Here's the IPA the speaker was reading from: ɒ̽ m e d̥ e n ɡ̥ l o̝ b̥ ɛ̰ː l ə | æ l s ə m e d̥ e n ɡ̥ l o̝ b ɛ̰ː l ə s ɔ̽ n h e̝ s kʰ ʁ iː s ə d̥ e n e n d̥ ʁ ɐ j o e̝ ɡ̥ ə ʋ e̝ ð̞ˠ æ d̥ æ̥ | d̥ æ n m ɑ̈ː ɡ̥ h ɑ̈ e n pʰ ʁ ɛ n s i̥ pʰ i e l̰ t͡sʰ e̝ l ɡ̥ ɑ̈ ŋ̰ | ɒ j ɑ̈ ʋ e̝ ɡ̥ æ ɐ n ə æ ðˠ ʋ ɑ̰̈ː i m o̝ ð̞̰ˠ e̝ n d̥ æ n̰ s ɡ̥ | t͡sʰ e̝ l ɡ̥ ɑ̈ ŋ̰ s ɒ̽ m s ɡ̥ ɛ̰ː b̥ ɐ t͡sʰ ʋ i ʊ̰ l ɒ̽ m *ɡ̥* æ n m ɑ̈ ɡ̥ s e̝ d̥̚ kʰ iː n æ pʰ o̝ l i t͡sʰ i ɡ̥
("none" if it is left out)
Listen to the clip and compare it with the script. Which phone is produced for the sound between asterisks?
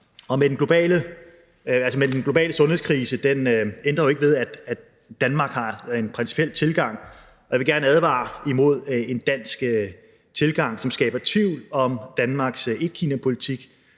d̥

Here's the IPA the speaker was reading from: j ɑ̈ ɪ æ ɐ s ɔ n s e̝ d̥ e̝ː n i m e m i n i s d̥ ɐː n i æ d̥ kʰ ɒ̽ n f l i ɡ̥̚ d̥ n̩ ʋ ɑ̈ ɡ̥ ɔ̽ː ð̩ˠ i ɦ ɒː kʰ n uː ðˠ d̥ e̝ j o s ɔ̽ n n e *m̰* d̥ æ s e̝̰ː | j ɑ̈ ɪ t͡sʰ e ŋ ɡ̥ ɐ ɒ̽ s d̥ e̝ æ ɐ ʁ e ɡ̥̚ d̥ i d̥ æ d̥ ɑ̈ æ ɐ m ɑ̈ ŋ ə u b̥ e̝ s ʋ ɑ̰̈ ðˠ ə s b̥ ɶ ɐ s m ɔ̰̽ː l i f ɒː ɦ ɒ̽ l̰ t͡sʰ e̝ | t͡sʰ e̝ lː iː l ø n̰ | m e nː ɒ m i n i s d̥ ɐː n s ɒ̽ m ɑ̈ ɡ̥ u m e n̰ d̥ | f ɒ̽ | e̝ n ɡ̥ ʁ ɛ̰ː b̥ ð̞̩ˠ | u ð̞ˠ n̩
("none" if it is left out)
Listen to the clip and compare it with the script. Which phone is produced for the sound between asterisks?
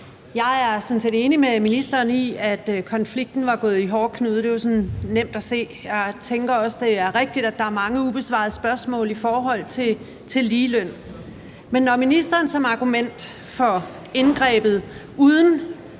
m̰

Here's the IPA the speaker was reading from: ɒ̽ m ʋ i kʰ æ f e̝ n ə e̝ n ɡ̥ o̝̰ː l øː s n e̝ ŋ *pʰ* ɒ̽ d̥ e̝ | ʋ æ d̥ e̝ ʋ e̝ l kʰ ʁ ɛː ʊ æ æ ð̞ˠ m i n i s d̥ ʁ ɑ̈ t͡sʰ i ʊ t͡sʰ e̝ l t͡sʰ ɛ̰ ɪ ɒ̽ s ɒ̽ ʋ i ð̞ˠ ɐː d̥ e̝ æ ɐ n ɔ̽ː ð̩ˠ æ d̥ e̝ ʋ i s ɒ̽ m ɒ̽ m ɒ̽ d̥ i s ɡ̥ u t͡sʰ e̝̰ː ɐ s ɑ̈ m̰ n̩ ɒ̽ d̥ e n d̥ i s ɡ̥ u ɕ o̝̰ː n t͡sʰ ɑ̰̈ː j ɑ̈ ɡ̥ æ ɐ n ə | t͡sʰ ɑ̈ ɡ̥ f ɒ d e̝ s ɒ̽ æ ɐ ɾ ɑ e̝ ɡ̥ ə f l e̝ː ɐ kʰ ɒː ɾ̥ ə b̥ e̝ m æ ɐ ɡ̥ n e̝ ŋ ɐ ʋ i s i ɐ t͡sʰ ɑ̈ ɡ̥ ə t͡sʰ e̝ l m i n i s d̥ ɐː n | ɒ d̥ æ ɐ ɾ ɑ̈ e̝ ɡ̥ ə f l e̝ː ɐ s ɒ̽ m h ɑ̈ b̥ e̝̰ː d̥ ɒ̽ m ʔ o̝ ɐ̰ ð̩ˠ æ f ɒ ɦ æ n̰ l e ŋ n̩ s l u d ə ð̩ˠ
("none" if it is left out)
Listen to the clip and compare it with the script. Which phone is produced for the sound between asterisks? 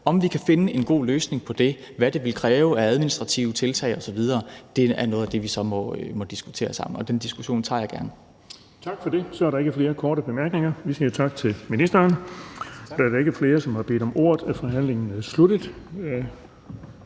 pʰ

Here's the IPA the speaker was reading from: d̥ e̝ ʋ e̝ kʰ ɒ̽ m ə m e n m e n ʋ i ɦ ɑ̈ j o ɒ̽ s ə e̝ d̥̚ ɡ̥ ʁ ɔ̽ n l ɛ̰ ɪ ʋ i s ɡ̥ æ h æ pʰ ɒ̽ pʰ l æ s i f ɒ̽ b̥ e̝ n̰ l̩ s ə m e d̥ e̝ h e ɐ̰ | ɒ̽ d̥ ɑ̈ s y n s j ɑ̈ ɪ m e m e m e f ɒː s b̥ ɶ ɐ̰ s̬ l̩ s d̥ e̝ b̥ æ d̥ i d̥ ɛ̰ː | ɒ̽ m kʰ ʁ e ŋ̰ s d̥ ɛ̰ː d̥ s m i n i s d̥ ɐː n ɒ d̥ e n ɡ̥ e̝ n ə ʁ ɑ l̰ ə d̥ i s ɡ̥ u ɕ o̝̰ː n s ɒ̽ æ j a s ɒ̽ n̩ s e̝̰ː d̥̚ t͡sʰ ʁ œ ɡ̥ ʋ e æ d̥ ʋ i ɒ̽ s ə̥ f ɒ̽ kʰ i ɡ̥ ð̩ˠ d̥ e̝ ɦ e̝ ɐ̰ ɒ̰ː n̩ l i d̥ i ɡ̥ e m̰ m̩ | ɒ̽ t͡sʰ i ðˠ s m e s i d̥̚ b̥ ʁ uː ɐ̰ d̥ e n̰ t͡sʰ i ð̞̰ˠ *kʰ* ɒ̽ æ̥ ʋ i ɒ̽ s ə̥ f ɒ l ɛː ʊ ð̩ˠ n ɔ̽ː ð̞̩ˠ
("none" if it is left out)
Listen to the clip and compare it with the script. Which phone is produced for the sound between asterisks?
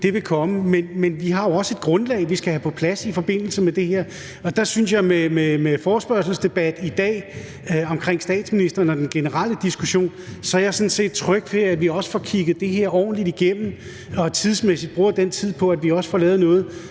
pʰ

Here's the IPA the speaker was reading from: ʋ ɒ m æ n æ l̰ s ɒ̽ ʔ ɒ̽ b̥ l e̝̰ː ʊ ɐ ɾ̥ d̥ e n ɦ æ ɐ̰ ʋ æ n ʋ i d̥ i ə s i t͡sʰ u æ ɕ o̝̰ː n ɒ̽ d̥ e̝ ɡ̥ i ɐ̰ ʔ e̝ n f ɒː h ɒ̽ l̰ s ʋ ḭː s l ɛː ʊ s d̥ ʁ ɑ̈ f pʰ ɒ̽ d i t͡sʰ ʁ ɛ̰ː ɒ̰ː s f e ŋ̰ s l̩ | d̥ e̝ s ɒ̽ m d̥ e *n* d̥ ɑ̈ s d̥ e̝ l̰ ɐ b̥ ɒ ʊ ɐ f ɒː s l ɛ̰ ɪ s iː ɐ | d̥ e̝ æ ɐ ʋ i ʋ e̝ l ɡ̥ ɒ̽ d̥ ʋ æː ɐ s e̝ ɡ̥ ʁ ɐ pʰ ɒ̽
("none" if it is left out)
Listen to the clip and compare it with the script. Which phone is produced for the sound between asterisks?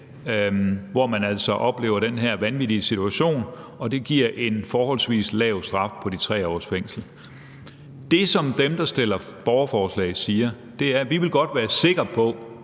m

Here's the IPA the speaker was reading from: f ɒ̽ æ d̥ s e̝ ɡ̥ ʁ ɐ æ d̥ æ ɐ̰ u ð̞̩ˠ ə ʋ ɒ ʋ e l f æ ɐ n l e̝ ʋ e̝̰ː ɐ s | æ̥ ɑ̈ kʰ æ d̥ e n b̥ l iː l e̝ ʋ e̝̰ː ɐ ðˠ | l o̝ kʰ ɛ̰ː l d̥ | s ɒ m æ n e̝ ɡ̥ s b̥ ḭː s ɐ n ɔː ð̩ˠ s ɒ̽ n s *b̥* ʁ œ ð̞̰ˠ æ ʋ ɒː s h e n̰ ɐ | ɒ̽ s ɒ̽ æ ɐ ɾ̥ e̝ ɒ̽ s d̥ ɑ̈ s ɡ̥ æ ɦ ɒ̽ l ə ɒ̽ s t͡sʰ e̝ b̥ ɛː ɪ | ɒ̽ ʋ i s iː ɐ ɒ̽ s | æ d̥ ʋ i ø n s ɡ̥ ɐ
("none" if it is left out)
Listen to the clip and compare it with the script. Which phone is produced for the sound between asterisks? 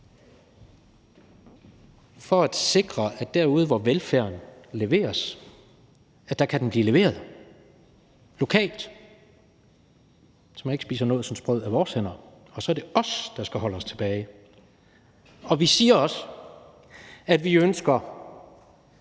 b̥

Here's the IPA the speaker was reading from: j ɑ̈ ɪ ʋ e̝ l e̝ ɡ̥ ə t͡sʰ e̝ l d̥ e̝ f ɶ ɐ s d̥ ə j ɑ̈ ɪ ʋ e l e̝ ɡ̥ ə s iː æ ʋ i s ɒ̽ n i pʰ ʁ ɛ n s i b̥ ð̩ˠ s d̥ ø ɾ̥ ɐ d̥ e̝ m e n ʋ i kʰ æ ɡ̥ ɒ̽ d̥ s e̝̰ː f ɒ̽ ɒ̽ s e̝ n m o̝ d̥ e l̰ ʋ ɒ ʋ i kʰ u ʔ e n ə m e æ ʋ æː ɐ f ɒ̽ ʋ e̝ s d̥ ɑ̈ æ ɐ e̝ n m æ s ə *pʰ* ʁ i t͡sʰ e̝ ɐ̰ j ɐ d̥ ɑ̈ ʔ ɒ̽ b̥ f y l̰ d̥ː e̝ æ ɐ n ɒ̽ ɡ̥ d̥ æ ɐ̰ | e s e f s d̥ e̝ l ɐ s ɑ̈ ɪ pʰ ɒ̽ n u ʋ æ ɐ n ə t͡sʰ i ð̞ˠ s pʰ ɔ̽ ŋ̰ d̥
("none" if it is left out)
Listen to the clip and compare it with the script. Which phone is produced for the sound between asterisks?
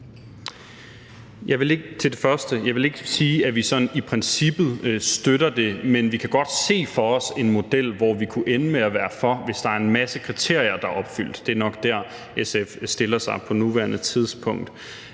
kʰ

